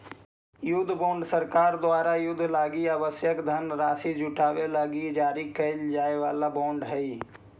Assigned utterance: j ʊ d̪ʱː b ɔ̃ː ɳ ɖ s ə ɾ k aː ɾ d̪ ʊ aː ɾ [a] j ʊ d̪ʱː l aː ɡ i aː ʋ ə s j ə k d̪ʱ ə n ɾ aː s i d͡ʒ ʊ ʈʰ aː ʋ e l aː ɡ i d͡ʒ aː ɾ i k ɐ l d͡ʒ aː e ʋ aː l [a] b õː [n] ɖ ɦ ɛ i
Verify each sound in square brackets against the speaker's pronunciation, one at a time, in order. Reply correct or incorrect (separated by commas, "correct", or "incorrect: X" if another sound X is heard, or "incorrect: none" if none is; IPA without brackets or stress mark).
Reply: correct, correct, incorrect: ɳ